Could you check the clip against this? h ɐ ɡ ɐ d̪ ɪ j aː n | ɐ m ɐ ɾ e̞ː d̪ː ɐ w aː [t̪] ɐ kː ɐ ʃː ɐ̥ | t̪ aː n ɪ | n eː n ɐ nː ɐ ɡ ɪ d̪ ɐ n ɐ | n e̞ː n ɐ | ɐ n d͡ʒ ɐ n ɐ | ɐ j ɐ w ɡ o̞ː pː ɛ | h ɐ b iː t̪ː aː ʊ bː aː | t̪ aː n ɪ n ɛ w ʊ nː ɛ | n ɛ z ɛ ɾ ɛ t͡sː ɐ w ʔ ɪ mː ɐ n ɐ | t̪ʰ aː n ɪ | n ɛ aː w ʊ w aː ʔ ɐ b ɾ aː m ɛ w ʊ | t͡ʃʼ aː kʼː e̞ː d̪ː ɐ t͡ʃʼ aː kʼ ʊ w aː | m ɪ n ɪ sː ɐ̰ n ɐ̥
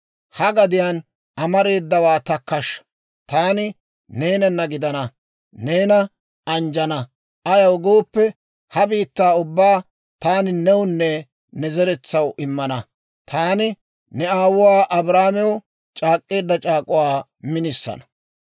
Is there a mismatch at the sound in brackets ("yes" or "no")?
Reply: no